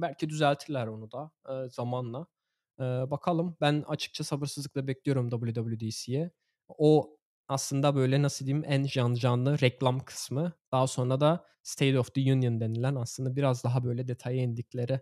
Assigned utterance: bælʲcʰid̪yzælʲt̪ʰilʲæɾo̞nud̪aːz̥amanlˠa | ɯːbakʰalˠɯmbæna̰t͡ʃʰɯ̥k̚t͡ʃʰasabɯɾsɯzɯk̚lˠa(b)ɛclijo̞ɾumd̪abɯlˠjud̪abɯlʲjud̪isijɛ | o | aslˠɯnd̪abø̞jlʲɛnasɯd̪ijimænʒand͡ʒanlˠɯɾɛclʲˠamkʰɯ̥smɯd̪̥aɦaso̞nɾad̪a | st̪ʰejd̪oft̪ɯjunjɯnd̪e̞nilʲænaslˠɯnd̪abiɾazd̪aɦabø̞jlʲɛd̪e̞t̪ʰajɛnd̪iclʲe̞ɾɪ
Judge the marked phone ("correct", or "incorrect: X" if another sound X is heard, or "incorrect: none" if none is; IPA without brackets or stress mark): correct